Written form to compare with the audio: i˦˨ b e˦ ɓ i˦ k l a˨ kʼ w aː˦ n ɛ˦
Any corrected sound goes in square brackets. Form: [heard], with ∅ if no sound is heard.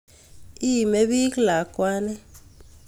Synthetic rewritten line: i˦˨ [m] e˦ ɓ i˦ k l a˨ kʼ w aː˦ n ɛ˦